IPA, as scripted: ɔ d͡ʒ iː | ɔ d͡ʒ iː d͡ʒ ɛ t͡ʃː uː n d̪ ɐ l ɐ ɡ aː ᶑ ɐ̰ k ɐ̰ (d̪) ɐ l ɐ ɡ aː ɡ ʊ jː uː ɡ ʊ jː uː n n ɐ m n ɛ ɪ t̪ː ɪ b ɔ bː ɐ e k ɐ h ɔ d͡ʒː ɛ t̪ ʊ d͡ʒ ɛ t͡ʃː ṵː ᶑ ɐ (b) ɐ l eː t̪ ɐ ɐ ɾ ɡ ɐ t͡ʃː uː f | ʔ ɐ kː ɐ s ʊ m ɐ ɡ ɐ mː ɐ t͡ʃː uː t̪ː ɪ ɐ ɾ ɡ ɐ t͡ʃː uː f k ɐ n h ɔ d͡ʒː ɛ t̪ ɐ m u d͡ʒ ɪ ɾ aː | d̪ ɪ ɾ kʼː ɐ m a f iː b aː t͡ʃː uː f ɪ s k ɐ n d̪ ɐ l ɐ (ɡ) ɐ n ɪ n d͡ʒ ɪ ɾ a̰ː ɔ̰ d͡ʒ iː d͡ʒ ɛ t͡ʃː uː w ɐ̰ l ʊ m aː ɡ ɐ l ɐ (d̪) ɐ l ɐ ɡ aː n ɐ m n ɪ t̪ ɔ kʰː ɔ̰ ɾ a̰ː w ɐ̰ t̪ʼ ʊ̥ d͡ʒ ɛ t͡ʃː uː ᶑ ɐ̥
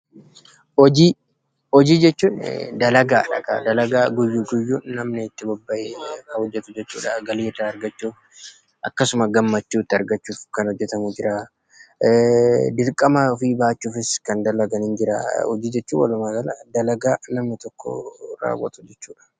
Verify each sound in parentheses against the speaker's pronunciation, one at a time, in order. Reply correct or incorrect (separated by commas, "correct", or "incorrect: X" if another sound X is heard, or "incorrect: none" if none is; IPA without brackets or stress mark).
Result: correct, incorrect: ɡ, correct, correct